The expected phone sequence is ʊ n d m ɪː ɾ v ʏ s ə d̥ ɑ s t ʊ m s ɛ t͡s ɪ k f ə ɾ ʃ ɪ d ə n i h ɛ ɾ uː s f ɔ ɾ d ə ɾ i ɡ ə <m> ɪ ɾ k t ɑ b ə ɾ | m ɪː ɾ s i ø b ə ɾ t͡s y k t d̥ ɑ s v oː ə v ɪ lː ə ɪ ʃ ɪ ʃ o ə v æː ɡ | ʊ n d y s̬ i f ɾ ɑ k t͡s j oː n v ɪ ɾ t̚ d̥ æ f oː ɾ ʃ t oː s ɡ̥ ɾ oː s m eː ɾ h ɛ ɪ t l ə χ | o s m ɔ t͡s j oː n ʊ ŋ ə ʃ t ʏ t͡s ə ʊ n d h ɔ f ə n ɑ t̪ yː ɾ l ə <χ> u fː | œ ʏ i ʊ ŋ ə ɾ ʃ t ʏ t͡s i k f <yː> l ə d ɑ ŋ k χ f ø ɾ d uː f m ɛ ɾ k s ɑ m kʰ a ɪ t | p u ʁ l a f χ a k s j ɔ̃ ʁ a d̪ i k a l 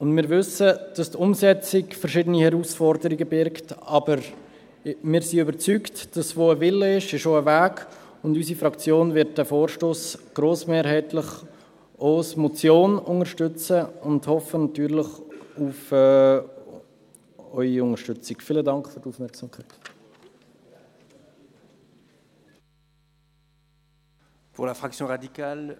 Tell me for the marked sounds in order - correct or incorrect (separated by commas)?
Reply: incorrect, correct, incorrect